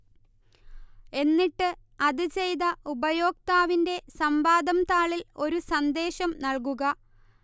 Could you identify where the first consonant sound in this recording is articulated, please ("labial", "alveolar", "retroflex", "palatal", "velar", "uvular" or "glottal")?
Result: alveolar